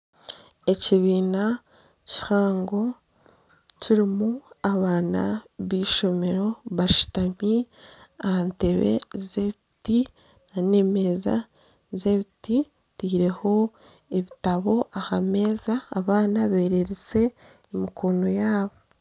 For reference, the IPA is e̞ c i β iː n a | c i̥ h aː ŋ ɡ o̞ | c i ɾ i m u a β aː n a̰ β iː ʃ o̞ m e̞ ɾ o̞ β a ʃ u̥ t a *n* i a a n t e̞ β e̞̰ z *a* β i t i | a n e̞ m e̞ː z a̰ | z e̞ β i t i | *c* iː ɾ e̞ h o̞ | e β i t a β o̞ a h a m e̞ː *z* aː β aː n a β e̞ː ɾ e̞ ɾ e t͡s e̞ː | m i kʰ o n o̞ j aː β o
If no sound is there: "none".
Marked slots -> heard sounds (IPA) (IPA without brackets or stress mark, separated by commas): m, e, t, z